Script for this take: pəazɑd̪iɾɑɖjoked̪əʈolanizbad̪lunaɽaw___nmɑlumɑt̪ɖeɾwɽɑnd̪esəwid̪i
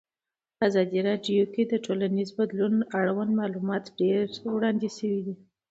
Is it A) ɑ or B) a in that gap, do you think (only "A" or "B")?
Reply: B